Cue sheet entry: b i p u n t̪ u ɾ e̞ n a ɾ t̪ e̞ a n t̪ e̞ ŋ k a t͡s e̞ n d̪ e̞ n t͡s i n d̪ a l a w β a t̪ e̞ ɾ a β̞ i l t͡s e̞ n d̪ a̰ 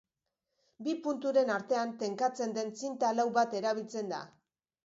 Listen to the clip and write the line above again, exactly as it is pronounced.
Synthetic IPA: b i p u n t̪ u ɾ e̞ n a ɾ t̪ e̞ a n t̪ e̞ ŋ k a t͡s e̞ n d̪ e̞ n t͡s i n t̪ a l a w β a t̪ e̞ ɾ a β̞ i l t͡s e̞ n d̪ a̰